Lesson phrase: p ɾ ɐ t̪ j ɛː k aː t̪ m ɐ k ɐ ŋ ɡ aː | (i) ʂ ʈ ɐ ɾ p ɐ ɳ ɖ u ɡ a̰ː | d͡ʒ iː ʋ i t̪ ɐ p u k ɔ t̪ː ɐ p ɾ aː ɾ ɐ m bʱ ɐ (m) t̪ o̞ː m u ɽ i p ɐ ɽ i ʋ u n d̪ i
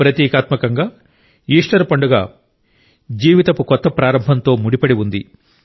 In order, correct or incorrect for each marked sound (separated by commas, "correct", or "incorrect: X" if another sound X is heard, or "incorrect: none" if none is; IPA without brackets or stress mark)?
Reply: incorrect: iː, incorrect: n